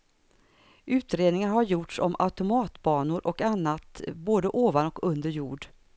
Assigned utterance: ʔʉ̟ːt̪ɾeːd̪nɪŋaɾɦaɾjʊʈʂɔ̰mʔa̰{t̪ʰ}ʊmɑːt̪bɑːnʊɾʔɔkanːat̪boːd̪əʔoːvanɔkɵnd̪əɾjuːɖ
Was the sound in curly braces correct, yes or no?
no